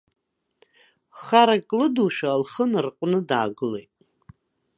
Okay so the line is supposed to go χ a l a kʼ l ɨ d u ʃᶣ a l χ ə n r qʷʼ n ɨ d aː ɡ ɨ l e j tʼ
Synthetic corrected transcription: χ a ɾ a kʼ l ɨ d u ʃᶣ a l χ ə n r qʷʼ n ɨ d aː ɡ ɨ l e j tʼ